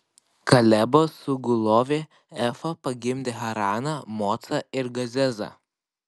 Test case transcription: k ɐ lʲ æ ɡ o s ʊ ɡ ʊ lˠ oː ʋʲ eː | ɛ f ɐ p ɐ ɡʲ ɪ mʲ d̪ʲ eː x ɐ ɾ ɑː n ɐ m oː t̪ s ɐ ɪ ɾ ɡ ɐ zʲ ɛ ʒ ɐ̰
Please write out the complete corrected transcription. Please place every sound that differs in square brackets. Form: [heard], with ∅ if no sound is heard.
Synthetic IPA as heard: k ɐ lʲ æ [b] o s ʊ ɡ ʊ lˠ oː ʋʲ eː | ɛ f ɐ p ɐ ɡʲ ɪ mʲ d̪ʲ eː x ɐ ɾ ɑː n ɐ m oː t̪ s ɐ ɪ ɾ ɡ ɐ zʲ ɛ [z] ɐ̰